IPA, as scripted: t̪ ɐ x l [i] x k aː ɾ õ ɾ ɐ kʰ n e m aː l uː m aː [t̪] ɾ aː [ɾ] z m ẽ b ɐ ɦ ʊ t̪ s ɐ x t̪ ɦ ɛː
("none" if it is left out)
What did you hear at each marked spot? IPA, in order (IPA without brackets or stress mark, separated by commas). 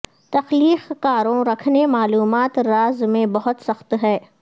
iː, t̪, none